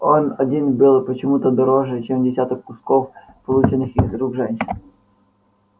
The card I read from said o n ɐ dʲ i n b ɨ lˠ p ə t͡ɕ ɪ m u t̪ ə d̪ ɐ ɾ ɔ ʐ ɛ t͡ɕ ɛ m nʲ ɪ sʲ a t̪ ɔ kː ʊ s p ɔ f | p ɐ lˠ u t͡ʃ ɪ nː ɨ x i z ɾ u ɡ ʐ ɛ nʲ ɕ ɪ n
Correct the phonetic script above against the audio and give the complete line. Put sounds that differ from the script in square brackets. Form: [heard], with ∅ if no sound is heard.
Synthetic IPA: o n ɐ dʲ i n b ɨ lˠ p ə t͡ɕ ɪ m u t̪ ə d̪ ɐ ɾ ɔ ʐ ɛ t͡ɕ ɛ m [dʲ] ɪ sʲ a t̪ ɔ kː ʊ s [k] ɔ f | p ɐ lˠ u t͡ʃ ɪ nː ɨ x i z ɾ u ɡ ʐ ɛ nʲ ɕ ɪ n